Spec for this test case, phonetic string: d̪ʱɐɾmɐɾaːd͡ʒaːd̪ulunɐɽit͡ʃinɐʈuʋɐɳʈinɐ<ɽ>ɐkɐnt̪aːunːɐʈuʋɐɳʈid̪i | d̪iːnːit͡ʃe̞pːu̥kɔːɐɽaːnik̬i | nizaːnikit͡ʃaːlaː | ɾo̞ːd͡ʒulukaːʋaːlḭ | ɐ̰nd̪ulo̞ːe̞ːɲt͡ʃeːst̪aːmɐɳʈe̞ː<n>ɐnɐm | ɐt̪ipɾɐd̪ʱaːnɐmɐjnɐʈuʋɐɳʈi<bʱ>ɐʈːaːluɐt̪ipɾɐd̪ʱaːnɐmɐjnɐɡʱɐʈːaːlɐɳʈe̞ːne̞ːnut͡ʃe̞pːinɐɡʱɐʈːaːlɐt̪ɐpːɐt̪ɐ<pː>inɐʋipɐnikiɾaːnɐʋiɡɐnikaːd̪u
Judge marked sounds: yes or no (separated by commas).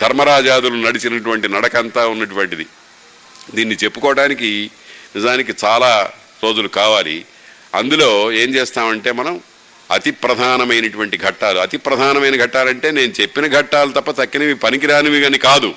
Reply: yes, no, no, no